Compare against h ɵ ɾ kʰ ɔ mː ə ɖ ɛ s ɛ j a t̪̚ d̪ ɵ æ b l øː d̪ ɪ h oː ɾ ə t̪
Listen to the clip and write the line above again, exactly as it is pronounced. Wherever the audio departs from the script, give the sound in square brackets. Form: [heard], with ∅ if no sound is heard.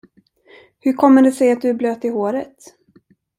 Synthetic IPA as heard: h ɵ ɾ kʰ ɔ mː ə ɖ ɛ s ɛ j a t̪̚ d̪ ɵ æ b l øː [t̪] ɪ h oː ɾ ə t̪